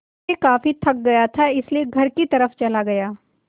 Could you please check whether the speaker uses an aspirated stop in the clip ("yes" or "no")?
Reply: yes